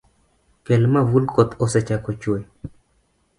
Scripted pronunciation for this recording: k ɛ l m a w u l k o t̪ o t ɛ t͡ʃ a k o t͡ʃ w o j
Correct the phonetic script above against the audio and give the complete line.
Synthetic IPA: k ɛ l m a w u l k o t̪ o s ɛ t͡ʃ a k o t͡ʃ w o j